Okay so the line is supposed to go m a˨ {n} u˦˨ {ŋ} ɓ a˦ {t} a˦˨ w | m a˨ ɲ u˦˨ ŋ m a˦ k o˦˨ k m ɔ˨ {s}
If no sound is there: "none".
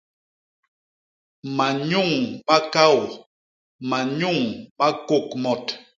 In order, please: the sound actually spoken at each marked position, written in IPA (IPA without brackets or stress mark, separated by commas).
ɲ, ŋ, k, t